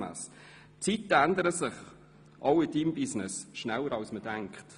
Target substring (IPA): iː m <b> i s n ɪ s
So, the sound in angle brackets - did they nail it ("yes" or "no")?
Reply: yes